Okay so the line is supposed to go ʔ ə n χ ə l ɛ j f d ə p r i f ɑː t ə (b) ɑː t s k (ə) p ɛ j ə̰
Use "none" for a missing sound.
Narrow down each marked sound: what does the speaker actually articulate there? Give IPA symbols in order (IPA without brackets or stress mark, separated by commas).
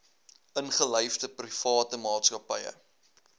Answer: m, ɐ